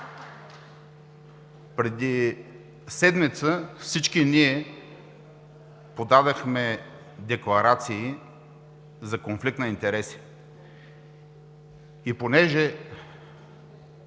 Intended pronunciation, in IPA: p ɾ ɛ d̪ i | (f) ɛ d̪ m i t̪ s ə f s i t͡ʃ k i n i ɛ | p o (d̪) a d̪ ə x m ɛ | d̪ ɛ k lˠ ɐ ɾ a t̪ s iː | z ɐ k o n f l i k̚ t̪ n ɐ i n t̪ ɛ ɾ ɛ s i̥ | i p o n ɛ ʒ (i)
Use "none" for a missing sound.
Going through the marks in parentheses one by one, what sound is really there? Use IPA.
s, d̪, ɛ

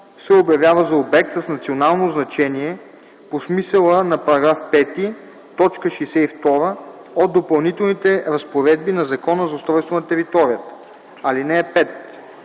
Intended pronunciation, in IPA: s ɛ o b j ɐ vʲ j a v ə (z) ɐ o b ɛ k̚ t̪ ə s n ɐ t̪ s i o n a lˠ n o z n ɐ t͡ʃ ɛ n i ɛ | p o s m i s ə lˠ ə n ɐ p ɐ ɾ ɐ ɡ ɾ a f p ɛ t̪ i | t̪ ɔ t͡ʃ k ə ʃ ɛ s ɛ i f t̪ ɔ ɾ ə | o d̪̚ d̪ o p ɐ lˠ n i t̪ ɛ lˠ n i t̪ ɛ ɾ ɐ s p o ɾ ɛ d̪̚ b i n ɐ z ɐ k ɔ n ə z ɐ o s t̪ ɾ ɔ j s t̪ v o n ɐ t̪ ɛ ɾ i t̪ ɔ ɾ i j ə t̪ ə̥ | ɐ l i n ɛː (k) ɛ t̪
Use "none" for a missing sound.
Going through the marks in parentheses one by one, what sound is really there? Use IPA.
z, p

